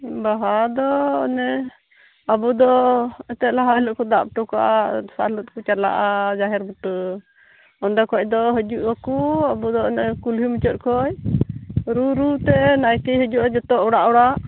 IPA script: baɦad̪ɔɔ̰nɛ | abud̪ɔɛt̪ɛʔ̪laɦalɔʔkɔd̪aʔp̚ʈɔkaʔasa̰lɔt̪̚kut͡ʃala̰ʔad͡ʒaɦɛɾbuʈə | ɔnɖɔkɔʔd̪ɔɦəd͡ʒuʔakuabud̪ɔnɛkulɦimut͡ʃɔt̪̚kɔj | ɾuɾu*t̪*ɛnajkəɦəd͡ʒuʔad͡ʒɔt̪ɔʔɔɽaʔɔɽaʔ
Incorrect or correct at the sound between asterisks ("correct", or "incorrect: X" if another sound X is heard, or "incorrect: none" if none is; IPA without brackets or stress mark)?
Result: correct